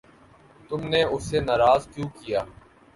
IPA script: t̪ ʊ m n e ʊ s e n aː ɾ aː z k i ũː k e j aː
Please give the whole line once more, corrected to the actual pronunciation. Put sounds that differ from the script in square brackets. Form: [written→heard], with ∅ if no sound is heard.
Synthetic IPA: t̪ ʊ m n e ʊ s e n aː ɾ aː z k [i→j] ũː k [e→i] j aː